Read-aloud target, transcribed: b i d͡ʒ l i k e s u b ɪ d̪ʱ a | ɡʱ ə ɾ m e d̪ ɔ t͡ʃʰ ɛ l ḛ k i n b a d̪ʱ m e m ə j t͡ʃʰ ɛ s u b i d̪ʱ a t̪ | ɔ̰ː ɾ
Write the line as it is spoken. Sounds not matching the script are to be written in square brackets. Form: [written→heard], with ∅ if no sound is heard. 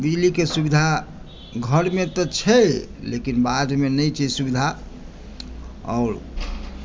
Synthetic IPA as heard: b i d͡ʒ l i k e s u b [ɪ→i] d̪ʱ a | ɡʱ ə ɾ m e [d̪→t̪] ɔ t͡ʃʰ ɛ l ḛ k i n b a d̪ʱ m e [m→n] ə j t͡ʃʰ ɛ s u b i d̪ʱ a [t̪→∅] | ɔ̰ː ɾ